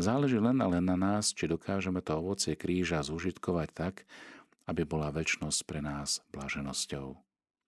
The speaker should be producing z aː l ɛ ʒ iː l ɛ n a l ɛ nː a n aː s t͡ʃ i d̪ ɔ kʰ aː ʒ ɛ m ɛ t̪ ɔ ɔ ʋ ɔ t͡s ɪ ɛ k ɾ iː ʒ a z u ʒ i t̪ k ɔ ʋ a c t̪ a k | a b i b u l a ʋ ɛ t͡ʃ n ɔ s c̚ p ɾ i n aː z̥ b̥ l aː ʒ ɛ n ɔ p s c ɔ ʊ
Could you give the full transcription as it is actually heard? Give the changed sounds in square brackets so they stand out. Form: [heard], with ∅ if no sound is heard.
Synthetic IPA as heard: z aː l ɛ ʒ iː l ɛ n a l ɛ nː a n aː s t͡ʃ i d̪ ɔ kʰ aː ʒ ɛ m ɛ t̪ ɔ ɔ ʋ ɔ t͡s ɪ ɛ k ɾ iː ʒ a z u ʒ i t̪ k ɔ ʋ a c t̪ a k | a b i b [ɔ] l a ʋ ɛ t͡ʃ n ɔ s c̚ p ɾ [ɛ] n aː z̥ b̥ l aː ʒ ɛ n ɔ [∅] s c ɔ ʊ